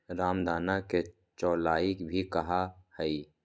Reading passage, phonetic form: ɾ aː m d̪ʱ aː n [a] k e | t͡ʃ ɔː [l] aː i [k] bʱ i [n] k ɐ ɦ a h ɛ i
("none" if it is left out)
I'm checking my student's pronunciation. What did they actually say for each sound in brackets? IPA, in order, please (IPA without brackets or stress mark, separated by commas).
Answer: a, l, k, none